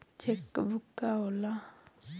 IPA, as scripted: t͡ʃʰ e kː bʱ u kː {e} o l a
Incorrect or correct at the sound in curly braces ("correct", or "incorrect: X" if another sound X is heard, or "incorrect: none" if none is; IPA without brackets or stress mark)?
incorrect: a